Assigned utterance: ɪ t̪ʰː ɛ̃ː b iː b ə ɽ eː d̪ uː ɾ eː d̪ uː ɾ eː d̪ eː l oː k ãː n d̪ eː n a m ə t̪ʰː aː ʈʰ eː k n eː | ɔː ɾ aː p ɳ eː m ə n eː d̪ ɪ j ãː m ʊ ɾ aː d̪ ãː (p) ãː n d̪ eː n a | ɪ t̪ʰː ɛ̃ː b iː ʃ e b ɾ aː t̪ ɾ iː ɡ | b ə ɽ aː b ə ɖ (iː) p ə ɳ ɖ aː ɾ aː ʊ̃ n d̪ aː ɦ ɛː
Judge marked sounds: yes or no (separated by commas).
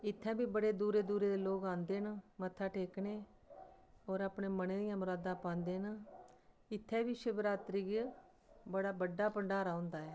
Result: yes, no